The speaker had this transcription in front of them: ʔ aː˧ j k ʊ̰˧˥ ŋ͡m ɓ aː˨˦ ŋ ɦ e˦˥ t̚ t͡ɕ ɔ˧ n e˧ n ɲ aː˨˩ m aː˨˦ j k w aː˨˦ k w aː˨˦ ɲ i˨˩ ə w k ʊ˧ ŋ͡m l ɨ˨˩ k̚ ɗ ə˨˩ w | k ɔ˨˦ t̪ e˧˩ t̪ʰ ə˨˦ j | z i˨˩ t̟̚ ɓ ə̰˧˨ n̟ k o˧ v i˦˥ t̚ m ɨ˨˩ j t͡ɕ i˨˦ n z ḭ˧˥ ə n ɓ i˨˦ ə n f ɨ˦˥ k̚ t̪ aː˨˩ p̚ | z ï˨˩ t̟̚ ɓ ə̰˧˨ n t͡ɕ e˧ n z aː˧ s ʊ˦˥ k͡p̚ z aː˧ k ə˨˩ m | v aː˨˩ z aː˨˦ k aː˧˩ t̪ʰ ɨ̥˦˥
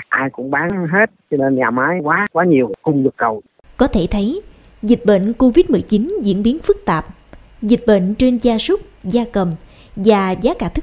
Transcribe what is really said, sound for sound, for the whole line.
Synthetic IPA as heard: ʔ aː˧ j k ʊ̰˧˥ ŋ͡m ɓ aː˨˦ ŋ ɦ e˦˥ t̚ t͡ɕ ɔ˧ n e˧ n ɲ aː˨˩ m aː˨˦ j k w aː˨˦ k w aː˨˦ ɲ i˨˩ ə w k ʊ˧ ŋ͡m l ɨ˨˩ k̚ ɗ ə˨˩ w | k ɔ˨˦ t̪ʰ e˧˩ t̪ʰ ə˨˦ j | z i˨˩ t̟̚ ɓ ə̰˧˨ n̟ k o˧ v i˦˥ t̚ m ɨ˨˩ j t͡ɕ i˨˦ n z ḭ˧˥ ə n ɓ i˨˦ ə n f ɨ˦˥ k̚ t̪ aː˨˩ p̚ | z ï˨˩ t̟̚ ɓ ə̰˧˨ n t͡ɕ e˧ n z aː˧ s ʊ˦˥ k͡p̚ z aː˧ k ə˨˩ m | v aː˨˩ z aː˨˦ k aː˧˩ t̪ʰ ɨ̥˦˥